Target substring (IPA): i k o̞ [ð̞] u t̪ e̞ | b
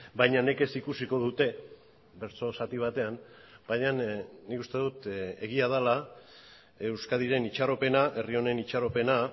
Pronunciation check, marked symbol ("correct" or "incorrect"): correct